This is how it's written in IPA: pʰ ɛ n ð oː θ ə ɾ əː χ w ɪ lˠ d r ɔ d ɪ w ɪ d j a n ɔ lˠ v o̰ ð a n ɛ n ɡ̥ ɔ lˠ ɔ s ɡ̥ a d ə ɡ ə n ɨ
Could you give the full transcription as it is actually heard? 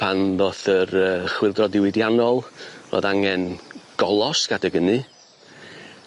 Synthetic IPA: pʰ a n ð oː θ ə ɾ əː χ w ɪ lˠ d r ɔ d ɪ w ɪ d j a n ɔ lˠ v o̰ ð a ŋ ɛ n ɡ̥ ɔ lˠ ɔ s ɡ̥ a d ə ɡ ə n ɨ

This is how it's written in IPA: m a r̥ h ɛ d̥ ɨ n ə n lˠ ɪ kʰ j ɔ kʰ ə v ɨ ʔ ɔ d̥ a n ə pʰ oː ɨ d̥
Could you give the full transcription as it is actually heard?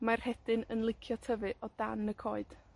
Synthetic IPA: m a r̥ h ɛ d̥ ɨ n ə n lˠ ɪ kʰ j ɔ tʰ ə v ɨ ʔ ɔ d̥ a n ə kʰ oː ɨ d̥

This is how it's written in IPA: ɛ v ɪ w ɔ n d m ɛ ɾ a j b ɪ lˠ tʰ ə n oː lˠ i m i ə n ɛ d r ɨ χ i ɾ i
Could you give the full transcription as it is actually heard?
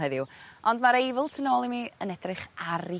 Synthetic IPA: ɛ ð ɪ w ɔ n d m a ɾ e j v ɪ lˠ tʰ ə n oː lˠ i m i ə n ɛ d r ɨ χ a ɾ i

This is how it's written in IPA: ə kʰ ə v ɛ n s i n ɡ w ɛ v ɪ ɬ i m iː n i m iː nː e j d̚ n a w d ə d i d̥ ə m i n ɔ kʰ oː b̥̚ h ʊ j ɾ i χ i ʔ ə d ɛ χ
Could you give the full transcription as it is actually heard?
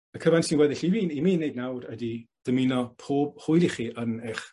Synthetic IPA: ə kʰ ə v a n s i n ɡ w ɛ ð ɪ ɬ i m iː n i m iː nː e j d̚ n a w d ə d i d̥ ə m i n ɔ pʰ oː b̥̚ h ʊ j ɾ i χ i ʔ ə n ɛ χ

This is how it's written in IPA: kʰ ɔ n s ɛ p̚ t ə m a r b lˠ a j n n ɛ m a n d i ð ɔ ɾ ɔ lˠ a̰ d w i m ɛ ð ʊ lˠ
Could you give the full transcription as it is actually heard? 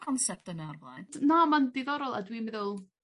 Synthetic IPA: kʰ ɔ n s ɛ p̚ t ə n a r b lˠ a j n n a m a n d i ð ɔ ɾ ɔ lˠ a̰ d w i m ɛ ð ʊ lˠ

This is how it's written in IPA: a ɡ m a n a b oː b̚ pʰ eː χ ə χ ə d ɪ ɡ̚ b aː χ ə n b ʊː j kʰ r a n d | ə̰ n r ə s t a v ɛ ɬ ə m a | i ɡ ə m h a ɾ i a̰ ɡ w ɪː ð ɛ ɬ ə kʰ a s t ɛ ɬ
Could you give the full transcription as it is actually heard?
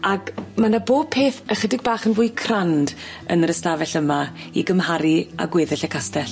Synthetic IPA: a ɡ m a n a b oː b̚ pʰ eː θ ə χ ə d ɪ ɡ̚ b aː χ ə n v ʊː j kʰ r a n d | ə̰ n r ə s t a v ɛ ɬ ə m a | i ɡ ə m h a ɾ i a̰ ɡ w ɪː ð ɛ ɬ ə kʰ a s t ɛ ɬ

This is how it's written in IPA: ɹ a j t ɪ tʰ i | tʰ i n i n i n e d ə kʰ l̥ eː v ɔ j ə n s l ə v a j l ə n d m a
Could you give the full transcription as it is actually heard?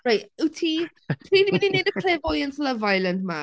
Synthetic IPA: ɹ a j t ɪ tʰ i | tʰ i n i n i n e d ə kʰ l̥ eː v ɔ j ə n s l ə v a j l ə n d m a

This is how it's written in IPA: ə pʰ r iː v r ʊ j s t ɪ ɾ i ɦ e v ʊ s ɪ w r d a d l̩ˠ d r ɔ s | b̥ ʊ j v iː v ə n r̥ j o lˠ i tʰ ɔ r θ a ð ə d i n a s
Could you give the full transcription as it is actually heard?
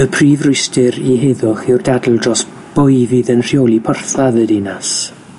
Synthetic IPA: ə pʰ r iː v r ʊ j s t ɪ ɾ i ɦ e ð ʊ χ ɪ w r d a d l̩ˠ d r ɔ s | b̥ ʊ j v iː ð ə n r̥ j o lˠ i pʰ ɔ r θ a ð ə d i n a s

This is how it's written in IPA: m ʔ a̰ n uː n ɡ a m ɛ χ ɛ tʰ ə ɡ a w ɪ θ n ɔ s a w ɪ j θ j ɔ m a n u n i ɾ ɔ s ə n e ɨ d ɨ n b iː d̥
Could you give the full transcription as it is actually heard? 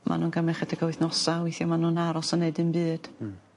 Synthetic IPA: m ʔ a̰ n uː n ɡ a m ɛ χ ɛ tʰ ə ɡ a w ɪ θ n ɔ s a w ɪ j θ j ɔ m a n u n a ɾ ɔ s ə n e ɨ d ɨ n b ɨː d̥

